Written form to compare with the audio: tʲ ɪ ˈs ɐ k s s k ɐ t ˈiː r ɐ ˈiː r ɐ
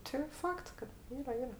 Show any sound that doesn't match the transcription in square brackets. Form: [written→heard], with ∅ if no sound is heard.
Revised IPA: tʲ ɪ [ˈs→ˈf] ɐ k [s→t] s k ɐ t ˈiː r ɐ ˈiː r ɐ